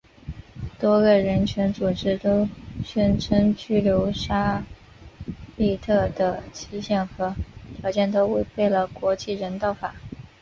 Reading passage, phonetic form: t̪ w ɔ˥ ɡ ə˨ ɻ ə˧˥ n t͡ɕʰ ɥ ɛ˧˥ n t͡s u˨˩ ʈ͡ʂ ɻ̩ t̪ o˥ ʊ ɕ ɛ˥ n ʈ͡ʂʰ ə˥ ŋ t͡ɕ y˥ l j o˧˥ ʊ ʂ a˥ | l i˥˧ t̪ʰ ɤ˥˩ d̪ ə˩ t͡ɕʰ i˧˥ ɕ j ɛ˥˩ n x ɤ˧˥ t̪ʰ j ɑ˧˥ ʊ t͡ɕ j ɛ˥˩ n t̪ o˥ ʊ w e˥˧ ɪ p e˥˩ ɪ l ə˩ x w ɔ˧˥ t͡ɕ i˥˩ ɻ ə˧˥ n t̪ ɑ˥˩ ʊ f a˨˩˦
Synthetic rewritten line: t̪ w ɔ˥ ɡ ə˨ ɻ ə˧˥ n t͡ɕʰ ɥ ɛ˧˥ n t͡s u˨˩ ʈ͡ʂ ɻ̩ t̪ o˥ ʊ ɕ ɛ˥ n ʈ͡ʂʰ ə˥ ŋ t͡ɕ y˥ l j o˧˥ ʊ ʂ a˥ | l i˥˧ t̪ʰ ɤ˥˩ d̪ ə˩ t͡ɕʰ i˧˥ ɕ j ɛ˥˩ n x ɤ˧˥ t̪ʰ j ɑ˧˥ ʊ t͡ɕ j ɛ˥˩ n t̪ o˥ ʊ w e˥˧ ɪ p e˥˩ ɪ l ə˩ k w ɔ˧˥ t͡ɕ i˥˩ ɻ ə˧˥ n t̪ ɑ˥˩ ʊ f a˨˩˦